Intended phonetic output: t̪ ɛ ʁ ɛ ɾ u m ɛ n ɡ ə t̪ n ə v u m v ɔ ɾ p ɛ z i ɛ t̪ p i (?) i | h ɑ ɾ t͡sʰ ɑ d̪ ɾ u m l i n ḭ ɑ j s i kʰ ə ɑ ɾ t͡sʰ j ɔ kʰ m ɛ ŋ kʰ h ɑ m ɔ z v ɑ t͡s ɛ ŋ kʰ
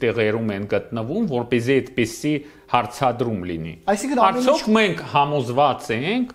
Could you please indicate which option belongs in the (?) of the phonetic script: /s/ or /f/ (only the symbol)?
s